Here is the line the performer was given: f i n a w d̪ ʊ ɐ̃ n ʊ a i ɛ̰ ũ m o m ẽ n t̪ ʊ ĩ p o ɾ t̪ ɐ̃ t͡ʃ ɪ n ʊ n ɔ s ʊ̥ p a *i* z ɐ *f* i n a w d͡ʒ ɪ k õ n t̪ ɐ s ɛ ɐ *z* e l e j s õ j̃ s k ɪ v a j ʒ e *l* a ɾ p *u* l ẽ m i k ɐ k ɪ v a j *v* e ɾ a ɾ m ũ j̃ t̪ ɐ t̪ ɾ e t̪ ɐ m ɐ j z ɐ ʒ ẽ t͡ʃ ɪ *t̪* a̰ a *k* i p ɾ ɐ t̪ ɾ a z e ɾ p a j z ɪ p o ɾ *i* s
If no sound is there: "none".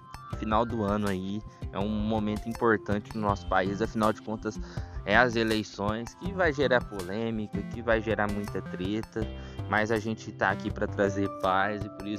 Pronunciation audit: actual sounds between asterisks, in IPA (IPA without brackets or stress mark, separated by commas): i, f, z, ɾ, o, ʒ, t̪, k, i